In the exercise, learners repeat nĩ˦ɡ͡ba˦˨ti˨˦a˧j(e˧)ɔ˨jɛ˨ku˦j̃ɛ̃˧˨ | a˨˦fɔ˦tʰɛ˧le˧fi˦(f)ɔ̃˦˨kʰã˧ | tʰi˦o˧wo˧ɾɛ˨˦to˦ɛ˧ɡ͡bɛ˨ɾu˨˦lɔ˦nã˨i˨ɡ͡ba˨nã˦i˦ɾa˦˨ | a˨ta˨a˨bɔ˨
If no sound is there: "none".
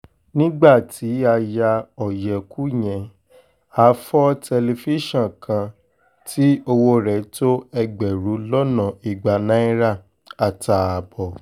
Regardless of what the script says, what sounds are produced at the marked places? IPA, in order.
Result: a˧, ʃ

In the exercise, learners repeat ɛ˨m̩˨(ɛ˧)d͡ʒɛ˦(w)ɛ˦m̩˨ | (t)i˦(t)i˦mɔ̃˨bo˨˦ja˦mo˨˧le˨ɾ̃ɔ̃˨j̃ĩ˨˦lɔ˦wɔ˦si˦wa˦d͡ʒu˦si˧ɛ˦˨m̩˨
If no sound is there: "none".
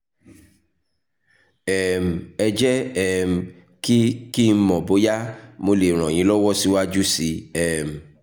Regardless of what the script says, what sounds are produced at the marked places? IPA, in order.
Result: ɛ˧, none, k, k

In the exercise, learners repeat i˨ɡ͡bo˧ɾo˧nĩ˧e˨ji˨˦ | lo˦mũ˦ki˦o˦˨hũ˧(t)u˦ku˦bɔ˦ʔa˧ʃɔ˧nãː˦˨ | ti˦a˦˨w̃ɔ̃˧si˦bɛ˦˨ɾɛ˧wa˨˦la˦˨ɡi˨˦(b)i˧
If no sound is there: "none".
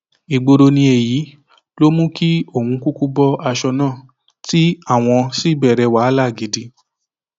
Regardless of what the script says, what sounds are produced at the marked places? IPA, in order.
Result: k, d

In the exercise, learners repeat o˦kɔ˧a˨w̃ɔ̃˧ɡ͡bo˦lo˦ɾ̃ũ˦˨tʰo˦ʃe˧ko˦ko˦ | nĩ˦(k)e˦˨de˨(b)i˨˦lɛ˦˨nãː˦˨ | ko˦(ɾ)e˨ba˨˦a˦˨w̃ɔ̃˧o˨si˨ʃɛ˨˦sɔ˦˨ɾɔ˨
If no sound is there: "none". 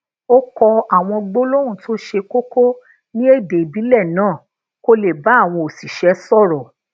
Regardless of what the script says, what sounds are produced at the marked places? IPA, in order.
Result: none, b, l

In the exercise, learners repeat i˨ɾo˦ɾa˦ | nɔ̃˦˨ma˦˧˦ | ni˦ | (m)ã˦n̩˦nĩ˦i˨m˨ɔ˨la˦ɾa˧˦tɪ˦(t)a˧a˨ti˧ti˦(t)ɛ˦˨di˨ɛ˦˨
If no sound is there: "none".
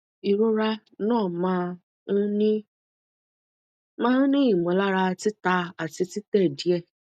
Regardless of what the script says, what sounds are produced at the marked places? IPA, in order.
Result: m, t, t

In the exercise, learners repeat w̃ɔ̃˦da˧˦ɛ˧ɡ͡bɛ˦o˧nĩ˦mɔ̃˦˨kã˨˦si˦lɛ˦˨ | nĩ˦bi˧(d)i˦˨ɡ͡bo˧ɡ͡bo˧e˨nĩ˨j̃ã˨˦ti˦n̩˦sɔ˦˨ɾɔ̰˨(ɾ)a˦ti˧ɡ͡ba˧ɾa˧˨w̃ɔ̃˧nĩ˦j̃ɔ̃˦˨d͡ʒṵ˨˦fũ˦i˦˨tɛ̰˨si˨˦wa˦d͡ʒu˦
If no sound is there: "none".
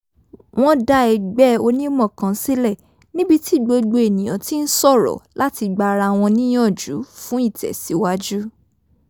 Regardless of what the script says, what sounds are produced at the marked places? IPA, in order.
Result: t, l

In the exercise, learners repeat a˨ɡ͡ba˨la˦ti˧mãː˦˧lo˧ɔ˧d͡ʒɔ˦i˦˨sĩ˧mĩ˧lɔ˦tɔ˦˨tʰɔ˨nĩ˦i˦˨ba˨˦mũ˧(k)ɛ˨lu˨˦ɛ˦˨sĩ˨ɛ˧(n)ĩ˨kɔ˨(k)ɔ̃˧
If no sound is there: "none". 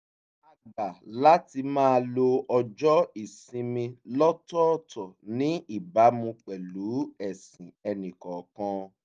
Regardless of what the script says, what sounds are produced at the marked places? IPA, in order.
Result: k͡p, n, k

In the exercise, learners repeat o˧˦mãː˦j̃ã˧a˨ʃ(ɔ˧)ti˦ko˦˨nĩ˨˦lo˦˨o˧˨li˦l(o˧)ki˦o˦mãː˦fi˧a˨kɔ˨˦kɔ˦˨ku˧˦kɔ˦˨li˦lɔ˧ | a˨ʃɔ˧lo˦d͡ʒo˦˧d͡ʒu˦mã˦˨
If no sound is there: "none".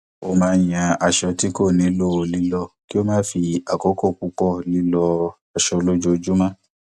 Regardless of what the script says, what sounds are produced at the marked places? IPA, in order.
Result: ɔ˧, ɔ˧

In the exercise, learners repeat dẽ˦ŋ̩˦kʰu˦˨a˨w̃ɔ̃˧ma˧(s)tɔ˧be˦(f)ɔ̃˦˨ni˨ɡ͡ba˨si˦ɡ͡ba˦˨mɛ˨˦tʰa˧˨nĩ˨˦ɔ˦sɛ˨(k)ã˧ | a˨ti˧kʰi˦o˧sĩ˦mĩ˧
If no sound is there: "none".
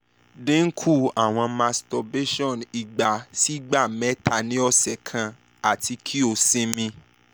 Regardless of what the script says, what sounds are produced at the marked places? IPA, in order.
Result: s, ʃ, kʰ

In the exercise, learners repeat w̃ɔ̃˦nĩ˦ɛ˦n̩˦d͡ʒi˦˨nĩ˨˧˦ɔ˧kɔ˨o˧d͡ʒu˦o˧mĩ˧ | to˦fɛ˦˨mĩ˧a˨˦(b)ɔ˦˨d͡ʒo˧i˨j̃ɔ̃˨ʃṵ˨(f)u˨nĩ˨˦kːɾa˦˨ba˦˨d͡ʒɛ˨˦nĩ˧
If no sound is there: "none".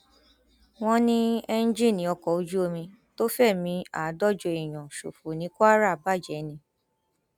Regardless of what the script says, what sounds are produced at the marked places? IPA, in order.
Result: d, f

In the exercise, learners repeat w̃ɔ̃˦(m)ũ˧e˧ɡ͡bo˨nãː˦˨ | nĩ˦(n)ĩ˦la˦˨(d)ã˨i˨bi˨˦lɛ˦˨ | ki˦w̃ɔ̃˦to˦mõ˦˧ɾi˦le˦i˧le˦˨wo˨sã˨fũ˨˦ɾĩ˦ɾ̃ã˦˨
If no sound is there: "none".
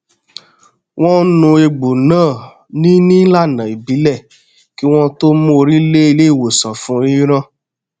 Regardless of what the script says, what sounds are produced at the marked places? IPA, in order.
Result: n, n, n

